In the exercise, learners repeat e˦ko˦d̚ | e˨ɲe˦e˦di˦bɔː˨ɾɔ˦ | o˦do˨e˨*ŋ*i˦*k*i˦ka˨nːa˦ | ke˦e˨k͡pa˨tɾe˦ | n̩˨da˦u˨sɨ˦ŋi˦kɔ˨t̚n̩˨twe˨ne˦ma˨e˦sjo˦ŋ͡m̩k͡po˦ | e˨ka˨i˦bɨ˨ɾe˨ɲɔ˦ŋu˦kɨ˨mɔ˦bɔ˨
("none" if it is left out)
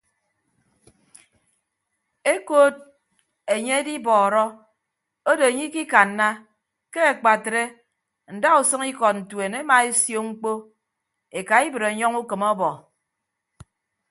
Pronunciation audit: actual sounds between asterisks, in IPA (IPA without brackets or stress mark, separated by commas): ɲ, k